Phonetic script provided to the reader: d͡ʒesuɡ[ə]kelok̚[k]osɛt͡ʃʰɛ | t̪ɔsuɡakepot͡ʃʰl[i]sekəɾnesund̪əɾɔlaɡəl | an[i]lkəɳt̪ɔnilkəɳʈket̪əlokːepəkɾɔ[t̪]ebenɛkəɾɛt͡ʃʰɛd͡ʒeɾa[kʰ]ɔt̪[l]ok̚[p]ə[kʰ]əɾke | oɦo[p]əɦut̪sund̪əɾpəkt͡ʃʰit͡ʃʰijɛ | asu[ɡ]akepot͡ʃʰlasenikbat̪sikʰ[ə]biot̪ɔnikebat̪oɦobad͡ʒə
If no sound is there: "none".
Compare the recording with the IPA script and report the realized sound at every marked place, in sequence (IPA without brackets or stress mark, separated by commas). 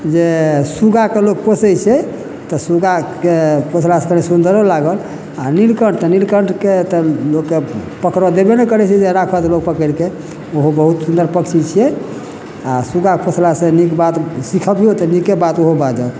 a, p, a, i, d̪, kʰ, l, p, k, b, ɡ, ə